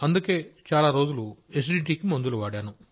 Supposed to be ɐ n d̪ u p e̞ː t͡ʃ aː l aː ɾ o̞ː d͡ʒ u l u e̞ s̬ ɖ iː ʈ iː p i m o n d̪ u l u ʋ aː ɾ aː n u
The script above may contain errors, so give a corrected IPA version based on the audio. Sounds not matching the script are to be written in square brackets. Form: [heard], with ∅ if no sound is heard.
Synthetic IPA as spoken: ɐ n d̪ u [k] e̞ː t͡ʃ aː l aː ɾ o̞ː d͡ʒ u l u e̞ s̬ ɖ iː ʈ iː [k] i m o n d̪ u l u ʋ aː [ɽ] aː n u